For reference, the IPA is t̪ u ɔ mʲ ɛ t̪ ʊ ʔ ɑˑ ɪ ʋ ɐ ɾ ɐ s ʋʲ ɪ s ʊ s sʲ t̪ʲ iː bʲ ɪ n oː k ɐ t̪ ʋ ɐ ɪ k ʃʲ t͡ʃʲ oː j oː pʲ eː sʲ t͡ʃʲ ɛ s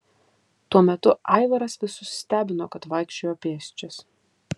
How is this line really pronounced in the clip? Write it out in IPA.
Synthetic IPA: t̪ u ɔ mʲ ɛ t̪ ʊ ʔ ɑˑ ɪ ʋ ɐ ɾ ɐ s ʋʲ ɪ s ʊ s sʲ t̪ʲ æː bʲ ɪ n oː k ɐ t̪ ʋ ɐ ɪ k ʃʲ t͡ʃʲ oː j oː pʲ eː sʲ t͡ʃʲ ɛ s